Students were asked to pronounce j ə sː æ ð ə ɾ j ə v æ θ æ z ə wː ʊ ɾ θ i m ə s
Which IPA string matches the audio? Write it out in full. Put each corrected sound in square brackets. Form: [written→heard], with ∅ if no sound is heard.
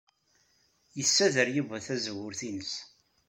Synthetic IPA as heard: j ə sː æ ð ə ɾ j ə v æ θ æ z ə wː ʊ ɾ θ i [m→n] ə s